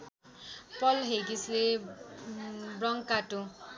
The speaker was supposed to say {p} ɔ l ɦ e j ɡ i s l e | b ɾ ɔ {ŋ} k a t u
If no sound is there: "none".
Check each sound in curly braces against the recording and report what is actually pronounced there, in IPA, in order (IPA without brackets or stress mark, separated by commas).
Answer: p, ŋ